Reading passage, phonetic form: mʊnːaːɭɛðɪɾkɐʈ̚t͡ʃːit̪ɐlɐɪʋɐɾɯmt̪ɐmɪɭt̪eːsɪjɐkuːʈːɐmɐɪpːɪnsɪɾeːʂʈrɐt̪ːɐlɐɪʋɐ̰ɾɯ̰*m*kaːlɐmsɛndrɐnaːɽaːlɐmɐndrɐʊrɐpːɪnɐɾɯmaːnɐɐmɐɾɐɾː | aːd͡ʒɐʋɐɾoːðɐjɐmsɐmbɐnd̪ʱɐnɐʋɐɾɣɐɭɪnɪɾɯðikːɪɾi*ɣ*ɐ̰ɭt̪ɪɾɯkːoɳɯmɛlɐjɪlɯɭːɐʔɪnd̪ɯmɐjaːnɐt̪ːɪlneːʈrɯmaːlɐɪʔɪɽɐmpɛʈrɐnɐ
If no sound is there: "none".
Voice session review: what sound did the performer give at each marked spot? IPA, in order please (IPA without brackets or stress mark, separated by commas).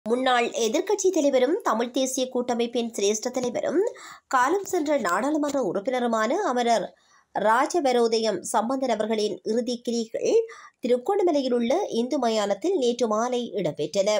m, ɣ